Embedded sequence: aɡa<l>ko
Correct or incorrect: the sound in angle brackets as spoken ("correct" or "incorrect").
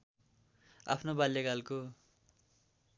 correct